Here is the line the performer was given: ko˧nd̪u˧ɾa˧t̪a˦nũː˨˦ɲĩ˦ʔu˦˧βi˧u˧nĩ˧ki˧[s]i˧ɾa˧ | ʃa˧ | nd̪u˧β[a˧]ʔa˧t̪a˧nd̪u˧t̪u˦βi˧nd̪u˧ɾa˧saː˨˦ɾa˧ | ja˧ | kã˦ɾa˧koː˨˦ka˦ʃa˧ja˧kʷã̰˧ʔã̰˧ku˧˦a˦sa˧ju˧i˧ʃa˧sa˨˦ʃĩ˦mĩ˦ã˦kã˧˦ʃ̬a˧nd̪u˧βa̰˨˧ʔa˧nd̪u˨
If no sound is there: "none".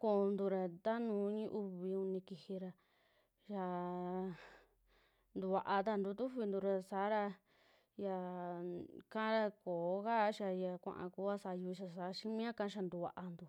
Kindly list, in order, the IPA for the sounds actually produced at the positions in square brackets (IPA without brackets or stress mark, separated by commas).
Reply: h, a˧